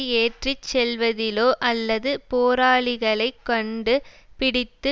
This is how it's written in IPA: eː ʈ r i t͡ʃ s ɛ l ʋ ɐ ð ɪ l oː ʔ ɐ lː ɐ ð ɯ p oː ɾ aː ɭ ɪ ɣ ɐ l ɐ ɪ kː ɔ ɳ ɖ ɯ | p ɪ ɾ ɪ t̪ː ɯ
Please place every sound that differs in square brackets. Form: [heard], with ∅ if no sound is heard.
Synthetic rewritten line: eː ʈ r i t͡ʃ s ɛ l ʋ ɐ ð ɪ l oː ʔ ɐ lː ɐ ð ɯ p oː ɾ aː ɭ ɪ ɣ ɐ [ɭ] ɐ ɪ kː ɔ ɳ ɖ ɯ | p ɪ [ɽ] ɪ t̪ː ɯ